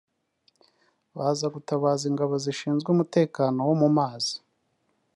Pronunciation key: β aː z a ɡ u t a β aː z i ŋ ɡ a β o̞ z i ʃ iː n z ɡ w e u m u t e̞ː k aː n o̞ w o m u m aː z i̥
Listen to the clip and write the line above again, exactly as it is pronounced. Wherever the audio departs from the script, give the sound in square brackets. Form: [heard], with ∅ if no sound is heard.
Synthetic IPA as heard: β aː z a ɡ u t a β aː z i ŋ ɡ a β o̞ z i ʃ iː n z ɡ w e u m u t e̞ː k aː n o̞ w o m u m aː z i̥